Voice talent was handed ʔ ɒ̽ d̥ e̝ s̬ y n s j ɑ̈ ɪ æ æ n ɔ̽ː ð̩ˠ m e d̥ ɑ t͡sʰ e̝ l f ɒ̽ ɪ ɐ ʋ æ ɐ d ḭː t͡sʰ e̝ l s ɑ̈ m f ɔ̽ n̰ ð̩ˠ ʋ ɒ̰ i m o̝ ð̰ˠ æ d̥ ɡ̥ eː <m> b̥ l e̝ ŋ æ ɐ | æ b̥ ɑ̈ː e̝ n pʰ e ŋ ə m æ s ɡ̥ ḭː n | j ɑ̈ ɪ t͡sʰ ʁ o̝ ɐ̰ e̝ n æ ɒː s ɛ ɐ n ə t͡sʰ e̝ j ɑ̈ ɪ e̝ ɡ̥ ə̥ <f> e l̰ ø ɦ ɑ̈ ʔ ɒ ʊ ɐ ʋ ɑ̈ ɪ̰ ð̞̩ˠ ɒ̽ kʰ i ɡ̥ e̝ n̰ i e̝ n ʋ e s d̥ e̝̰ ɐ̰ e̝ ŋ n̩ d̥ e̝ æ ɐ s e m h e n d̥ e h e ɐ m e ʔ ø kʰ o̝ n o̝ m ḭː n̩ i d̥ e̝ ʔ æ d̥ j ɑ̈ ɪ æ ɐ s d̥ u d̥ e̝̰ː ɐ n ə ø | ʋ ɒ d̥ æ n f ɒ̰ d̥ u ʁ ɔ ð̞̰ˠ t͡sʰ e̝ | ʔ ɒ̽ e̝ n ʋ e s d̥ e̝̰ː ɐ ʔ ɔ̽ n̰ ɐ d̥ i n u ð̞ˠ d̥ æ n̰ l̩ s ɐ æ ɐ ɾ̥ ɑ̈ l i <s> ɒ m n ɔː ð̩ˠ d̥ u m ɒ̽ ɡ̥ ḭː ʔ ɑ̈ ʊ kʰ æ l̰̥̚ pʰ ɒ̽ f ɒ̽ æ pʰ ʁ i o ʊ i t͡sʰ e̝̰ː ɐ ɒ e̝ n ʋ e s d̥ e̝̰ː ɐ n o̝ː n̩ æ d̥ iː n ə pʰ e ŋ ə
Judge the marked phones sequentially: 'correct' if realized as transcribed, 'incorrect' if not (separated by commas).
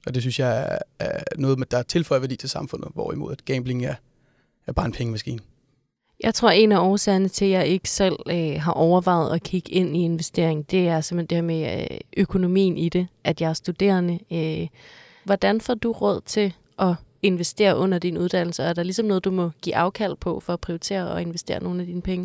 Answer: correct, incorrect, correct